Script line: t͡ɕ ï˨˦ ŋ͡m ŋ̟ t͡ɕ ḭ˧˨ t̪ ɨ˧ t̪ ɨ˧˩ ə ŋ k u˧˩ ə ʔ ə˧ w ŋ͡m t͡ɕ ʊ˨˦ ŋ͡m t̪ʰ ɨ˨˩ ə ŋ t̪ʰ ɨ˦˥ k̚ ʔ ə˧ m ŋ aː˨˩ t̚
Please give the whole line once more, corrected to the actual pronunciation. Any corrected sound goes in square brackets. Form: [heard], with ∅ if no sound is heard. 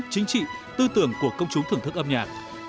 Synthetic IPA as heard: t͡ɕ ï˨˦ [∅] ŋ̟ t͡ɕ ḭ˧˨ t̪ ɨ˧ t̪ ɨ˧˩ ə ŋ k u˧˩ ə [k] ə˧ w ŋ͡m t͡ɕ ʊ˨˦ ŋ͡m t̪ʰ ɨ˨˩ ə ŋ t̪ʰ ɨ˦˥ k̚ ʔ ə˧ m [ɲ] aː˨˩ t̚